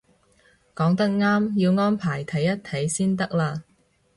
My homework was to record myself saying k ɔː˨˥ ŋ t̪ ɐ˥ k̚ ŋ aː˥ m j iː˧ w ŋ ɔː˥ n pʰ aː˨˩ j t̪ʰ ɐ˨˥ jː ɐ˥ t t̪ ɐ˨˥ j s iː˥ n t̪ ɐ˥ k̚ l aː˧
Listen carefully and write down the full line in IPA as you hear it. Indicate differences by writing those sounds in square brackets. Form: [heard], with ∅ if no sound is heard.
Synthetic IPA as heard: k ɔː˨˥ ŋ t̪ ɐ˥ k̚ ŋ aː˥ m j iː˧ w ŋ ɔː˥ n pʰ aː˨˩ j t̪ʰ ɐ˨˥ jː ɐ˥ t [t̪ʰ] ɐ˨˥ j s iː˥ n t̪ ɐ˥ k̚ l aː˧

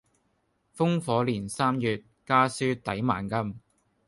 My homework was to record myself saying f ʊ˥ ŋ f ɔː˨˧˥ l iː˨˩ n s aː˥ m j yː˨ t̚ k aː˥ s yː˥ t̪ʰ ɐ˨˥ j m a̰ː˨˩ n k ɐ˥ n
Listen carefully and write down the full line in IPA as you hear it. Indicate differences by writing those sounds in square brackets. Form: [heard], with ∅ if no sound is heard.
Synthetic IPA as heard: f ʊ˥ ŋ f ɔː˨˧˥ l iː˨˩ n s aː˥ m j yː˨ t̚ k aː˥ s yː˥ [t̪] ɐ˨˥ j m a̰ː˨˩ n k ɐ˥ [m]

